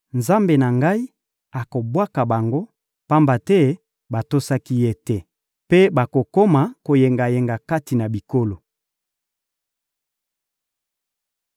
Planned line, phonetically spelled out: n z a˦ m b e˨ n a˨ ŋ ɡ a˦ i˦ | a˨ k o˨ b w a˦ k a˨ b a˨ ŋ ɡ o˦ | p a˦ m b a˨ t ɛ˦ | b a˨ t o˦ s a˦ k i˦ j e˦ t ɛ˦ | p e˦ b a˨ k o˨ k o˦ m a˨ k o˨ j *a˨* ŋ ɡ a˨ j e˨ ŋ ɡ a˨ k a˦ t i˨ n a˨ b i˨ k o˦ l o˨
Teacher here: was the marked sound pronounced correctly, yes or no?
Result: no